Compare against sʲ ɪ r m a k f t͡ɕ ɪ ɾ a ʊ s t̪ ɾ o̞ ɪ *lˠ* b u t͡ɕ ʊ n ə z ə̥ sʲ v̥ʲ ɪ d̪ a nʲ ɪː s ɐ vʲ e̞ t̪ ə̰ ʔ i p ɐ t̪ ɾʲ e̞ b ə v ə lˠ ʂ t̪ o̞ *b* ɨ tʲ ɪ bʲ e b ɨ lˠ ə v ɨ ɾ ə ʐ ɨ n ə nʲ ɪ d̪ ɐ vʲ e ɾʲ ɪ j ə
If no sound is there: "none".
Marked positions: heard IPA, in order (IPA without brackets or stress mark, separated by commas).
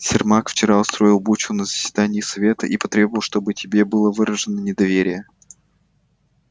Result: lˠ, b